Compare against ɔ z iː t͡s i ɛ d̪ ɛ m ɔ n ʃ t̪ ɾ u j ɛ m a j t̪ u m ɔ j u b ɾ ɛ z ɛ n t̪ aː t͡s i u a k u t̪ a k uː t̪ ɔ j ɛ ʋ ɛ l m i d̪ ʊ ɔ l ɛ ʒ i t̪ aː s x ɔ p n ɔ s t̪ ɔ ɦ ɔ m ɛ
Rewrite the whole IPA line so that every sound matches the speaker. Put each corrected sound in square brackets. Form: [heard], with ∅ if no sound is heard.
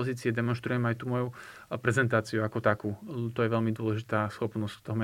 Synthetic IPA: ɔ z iː t͡s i ɛ d̪ ɛ m ɔ n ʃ t̪ ɾ u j ɛ m a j t̪ u m ɔ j u [p] ɾ ɛ z ɛ n t̪ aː t͡s i u a k [ɔ] t̪ a k uː t̪ ɔ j ɛ ʋ ɛ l m i d̪ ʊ ɔ l ɛ ʒ i t̪ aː s x ɔ p n ɔ s t̪ ɔ ɦ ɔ m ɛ